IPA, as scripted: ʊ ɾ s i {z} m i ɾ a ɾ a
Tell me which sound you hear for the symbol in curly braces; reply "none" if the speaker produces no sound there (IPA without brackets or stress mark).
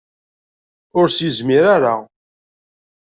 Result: z